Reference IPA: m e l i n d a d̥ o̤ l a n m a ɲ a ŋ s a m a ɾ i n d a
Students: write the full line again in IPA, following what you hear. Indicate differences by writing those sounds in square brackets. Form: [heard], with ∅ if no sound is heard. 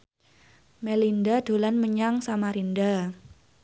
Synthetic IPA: m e l i n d a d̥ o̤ l a n m [ə] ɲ a ŋ s a m a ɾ i n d a